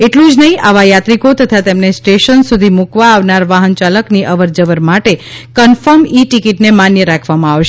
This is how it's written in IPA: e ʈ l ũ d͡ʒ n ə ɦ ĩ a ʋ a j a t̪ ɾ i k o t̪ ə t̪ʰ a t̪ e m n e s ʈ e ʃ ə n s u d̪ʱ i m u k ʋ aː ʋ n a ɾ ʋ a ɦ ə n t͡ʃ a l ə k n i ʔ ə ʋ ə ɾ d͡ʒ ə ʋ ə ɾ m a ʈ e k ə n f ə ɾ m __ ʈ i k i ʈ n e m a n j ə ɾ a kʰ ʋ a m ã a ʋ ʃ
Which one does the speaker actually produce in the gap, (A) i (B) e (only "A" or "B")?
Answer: A